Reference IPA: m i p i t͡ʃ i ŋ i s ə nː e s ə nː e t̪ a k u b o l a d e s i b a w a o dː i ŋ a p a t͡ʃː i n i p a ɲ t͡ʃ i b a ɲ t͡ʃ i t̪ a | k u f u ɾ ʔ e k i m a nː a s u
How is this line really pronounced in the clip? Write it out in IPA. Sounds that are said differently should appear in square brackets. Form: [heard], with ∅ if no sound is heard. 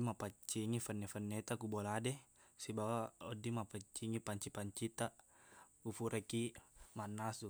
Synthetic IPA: m [a] p [a] t͡ʃ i ŋ i [f] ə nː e [f] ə nː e t̪ a k u b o l a d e s i b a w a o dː i [m] a p a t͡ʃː i [ŋ] i p a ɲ t͡ʃ i [p] a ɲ t͡ʃ i t̪ a | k u f u ɾ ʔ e k i m a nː a s u